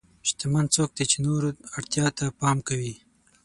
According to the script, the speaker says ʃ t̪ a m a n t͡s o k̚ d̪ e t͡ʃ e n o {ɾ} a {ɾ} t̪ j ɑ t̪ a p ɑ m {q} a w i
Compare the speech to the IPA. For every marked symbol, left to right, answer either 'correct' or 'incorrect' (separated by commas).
correct, incorrect, incorrect